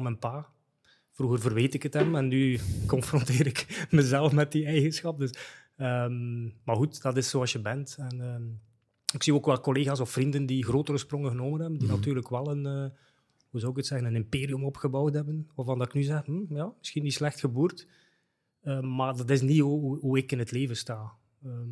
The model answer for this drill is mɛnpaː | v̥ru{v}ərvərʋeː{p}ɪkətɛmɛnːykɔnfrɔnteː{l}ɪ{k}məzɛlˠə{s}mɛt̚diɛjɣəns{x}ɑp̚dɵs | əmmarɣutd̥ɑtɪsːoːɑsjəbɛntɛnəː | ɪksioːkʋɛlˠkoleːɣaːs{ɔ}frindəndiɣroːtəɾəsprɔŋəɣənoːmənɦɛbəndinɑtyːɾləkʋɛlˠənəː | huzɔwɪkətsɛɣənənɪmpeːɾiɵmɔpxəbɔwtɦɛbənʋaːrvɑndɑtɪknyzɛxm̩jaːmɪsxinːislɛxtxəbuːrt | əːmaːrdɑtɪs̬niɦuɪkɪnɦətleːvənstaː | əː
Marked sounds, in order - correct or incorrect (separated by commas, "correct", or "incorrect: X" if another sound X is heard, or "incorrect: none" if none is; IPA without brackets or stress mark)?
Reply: incorrect: ɣ, incorrect: t, incorrect: ɾ, correct, incorrect: f, correct, correct